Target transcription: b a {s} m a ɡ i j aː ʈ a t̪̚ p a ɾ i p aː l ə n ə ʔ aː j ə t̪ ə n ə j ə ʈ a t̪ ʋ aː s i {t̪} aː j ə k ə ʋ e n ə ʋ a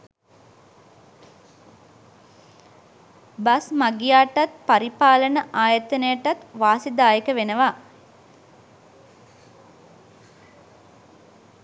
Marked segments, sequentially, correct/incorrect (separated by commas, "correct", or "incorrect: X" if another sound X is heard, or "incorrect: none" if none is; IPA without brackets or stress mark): correct, incorrect: d̪